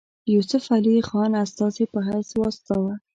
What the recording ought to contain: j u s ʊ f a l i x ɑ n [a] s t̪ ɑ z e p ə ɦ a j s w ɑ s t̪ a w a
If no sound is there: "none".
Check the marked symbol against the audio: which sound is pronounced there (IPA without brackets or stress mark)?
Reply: a